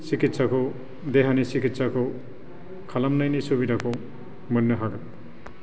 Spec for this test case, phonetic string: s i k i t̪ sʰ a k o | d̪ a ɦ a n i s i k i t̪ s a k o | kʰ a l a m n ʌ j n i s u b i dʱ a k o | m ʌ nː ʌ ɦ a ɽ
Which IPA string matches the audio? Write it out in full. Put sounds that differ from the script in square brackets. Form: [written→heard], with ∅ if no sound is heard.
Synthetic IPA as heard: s i k i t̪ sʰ a k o | d̪ [a→e] ɦ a n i s i k i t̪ s a k o | kʰ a l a m n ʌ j n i s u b i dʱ a k o | m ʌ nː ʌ ɦ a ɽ

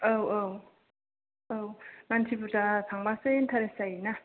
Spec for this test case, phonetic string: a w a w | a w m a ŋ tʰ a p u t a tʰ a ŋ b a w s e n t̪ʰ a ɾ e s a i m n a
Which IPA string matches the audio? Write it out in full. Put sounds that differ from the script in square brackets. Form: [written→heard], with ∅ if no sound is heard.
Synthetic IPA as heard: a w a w | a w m a [ŋ→n] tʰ [a→i] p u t a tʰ a ŋ b a [w→∅] s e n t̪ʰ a ɾ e s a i [m→∅] n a

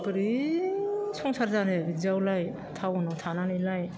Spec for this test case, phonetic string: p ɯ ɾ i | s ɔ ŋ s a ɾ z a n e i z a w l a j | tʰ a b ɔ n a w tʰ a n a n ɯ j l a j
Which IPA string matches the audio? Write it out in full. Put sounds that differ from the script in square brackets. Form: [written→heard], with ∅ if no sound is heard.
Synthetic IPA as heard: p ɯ ɾ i | s ɔ ŋ s a ɾ z a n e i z a w l a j | tʰ a [b→w] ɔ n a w tʰ a n a n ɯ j l a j

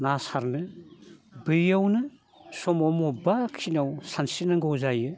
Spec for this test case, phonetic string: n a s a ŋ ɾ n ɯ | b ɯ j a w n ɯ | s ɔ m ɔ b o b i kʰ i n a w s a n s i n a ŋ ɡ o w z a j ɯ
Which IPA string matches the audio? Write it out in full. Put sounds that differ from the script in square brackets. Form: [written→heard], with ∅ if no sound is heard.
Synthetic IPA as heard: n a s a [ŋ→∅] ɾ n ɯ | b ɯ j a w n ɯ | s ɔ m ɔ [b→m] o b [i→a] kʰ i n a w s a n s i n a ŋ ɡ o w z a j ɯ

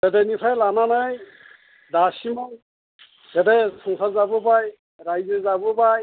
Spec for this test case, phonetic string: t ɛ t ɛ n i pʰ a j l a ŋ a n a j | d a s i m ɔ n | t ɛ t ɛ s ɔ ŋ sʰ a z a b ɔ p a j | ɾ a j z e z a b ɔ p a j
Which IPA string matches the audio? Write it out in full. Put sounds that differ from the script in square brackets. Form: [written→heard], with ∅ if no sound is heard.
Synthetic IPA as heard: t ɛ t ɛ n i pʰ a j l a [ŋ→n] a n a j | d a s i m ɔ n | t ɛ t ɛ s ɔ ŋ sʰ a z a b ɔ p a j | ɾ a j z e z a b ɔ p a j

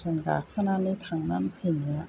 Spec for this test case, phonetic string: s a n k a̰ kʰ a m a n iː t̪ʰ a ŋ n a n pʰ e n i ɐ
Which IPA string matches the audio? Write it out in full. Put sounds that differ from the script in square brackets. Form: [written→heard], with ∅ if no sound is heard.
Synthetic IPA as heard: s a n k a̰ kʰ a [m→n] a n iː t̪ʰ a ŋ n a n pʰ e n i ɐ

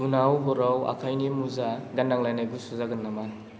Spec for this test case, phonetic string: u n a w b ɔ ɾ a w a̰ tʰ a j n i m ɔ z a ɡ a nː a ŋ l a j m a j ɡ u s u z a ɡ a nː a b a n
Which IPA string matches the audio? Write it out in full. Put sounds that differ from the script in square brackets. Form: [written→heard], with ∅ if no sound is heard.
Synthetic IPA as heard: u n a w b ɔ ɾ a w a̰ [tʰ→kʰ] a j n i m [ɔ→u] z a ɡ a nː a ŋ l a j [m→n] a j ɡ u s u z a ɡ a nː a [b→m] a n

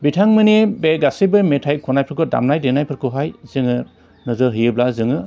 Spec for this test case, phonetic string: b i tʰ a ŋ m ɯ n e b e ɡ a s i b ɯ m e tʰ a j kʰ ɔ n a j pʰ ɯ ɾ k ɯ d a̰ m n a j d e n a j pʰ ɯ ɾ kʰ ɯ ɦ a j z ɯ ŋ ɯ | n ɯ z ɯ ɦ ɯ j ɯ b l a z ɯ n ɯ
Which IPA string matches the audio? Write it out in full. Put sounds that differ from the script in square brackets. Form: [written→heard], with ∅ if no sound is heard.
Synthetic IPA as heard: b i tʰ a ŋ m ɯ n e b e ɡ a s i b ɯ m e tʰ a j kʰ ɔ n a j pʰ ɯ ɾ k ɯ d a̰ m n a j d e n a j pʰ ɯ ɾ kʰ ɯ ɦ a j z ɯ ŋ ɯ | n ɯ z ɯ ɦ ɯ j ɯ b l a z ɯ [n→ŋ] ɯ

